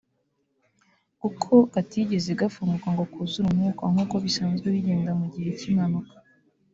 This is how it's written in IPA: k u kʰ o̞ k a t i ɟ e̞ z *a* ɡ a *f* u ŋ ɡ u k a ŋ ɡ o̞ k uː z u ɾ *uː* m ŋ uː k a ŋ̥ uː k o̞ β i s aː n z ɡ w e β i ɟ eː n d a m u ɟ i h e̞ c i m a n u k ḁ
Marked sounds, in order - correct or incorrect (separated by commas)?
incorrect, correct, incorrect